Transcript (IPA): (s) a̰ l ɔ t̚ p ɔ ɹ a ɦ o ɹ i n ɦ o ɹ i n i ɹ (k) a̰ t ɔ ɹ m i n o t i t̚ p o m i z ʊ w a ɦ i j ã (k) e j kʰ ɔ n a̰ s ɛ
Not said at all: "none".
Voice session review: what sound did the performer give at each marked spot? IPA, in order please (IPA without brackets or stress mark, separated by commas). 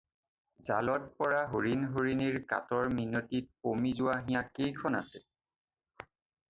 z, k, k